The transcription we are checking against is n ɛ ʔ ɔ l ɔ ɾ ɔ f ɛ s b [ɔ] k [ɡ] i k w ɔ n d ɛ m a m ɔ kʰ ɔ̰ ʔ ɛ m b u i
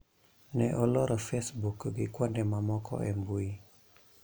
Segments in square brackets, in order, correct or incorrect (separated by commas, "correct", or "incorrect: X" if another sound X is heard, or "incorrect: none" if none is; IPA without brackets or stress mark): incorrect: u, correct